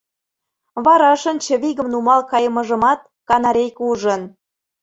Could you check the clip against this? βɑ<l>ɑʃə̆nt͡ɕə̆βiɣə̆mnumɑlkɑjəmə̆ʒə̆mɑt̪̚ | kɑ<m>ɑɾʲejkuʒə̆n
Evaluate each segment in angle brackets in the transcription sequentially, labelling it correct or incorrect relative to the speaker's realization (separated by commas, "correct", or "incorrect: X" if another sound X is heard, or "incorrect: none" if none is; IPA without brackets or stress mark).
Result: incorrect: ɾ, incorrect: n